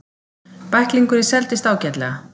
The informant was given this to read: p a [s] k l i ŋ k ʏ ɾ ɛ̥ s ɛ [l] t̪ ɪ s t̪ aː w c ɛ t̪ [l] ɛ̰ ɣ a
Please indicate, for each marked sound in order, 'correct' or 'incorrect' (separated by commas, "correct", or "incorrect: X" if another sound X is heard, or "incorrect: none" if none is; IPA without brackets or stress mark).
incorrect: h, correct, correct